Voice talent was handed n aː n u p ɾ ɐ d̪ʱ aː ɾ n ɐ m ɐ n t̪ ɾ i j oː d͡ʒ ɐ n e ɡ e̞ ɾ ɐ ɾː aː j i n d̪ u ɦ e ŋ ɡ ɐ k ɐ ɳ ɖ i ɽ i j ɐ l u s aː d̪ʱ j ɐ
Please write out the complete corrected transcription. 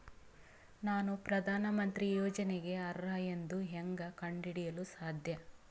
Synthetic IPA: n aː n u p ɾ ɐ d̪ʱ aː n ɐ m ɐ n t̪ ɾ i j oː d͡ʒ ɐ n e ɡ e̞ ɐ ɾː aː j e n d̪ u ɦ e ŋ ɡ ɐ k ɐ ɳ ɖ i ɽ i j ɐ l u s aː d̪ʱ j ɐ

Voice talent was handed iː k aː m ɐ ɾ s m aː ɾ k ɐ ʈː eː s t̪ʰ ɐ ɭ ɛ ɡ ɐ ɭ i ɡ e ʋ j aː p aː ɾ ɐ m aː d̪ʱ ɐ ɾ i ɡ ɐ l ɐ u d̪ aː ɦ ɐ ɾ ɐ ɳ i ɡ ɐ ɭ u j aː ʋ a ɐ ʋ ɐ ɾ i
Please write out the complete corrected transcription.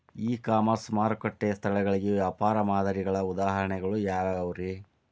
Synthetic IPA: iː k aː m ɐ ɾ s m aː ɾ k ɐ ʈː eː s t̪ʰ ɐ ɭ ɛ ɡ ɐ ɭ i ɡ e ʋ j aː p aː ɾ ɐ m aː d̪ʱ ɐ ɾ i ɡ ɐ ɭ ɐ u d̪ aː ɦ ɐ ɾ ɐ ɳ ɛ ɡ ɐ ɭ u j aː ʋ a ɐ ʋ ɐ ɾ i

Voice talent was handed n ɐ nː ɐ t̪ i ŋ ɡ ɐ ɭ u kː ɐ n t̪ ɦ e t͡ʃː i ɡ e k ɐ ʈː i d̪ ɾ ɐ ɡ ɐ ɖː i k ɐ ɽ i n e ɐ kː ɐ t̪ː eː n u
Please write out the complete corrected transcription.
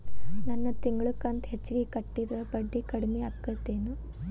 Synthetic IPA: n ɐ nː ɐ t̪ i ŋ ɡ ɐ ɭ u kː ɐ n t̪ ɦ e t͡ʃː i ɡ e k ɐ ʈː i d̪ ɾ ɐ b ɐ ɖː i k ɐ ɽ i m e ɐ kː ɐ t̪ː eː n u

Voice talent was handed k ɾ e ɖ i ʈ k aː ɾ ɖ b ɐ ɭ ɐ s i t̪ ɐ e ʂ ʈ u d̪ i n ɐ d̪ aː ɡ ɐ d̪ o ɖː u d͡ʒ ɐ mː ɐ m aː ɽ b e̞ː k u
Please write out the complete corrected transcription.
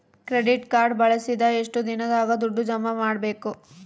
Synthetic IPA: k ɾ e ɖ i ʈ k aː ɾ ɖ b ɐ ɭ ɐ s i d̪ ɐ e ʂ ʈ u d̪ i n ɐ d̪ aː ɡ ɐ d̪ u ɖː u d͡ʒ ɐ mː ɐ m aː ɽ b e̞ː k u

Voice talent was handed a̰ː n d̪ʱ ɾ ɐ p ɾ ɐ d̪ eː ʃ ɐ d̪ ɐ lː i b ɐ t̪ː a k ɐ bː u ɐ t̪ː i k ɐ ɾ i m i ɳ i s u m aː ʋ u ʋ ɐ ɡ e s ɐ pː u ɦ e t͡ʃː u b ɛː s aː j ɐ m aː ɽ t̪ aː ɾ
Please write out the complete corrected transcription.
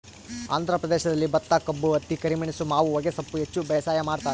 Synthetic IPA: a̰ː n d̪ʱ ɾ ɐ p ɾ ɐ d̪ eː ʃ ɐ d̪ ɐ lː i b ɐ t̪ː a k ɐ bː u ɐ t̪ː i k ɐ ɾ i m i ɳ i s u m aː ʋ u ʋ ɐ ɡ e s ɐ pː u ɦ e t͡ʃː u b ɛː s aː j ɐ m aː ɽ t̪ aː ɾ

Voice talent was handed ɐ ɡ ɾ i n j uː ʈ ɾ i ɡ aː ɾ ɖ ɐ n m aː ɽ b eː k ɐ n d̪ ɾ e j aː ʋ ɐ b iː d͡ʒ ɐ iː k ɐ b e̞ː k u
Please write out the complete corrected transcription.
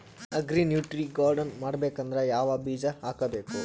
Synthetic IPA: ɐ ɡ ɾ i n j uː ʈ ɾ i ɡ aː ɾ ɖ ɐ n m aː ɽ b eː k ɐ n d̪ ɾ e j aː ʋ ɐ b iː d͡ʒ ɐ aː k ɐ b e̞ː k u

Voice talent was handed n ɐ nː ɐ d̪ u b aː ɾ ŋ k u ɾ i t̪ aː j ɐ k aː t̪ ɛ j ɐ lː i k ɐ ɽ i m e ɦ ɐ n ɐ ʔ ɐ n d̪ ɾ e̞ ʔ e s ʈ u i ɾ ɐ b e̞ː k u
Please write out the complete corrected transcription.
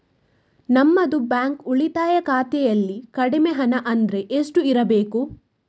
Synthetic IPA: n ɐ mː ɐ d̪ u b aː ŋ k u ɭ i t̪ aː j ɐ k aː t̪ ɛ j ɐ lː i k ɐ ɽ i m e ɦ ɐ n ɐ ʔ ɐ n d̪ ɾ e̞ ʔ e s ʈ u i ɾ ɐ b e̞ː k u

